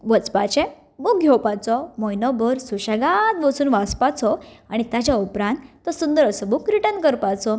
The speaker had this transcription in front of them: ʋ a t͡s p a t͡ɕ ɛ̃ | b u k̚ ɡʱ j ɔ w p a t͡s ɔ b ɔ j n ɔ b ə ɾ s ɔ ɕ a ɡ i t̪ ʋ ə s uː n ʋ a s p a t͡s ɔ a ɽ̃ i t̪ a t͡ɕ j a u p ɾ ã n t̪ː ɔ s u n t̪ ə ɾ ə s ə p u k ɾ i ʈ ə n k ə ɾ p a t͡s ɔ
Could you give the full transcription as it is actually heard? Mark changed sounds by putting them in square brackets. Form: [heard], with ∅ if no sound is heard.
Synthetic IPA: ʋ [ə] t͡s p a t͡ɕ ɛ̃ | b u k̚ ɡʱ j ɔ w p a t͡s ɔ [m] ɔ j n ɔ b ə ɾ s [u] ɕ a ɡ [a] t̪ ʋ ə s uː n ʋ a s p a t͡s ɔ a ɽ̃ i t̪ a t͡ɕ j a u p ɾ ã n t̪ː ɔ s u n [d̪] ə ɾ ə s ə [b] u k ɾ i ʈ ə n k ə ɾ p a t͡s ɔ